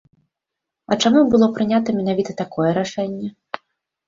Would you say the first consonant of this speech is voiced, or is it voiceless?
voiceless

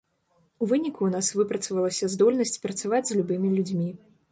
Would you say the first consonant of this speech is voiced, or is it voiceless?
voiced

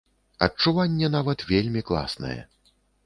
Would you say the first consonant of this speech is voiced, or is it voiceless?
voiceless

